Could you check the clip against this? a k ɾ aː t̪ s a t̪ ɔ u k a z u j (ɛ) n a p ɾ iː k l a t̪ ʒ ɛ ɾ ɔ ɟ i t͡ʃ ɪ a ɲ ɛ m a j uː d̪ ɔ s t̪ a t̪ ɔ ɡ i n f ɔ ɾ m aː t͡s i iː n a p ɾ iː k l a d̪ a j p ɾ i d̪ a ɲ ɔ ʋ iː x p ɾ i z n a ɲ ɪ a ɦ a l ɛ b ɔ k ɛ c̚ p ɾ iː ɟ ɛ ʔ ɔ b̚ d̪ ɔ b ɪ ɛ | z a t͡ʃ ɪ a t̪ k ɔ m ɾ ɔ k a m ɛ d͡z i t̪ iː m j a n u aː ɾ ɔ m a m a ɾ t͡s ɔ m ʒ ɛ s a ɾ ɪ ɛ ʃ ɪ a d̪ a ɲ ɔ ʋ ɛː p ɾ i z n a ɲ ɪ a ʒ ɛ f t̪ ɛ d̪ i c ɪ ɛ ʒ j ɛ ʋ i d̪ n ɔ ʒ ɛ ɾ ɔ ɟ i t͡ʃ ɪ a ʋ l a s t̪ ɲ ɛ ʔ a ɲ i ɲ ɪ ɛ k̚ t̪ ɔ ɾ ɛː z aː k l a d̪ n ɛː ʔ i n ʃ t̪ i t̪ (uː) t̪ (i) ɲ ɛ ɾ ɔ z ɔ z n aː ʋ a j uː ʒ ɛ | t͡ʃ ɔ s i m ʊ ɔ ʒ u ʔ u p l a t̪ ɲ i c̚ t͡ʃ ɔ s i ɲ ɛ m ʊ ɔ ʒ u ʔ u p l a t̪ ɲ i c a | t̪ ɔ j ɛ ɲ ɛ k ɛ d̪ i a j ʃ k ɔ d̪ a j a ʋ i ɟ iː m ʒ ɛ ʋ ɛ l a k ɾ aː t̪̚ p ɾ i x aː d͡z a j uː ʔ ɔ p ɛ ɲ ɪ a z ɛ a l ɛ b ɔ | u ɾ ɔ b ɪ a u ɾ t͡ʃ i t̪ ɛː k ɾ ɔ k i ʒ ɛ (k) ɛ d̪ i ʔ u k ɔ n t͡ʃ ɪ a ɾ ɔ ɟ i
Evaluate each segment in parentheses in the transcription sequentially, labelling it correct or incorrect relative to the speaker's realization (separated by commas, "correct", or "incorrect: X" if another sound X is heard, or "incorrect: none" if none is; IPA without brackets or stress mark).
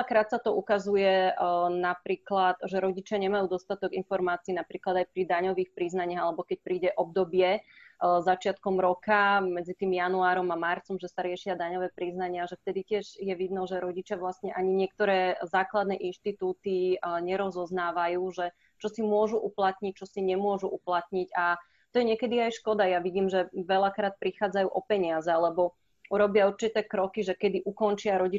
correct, correct, correct, correct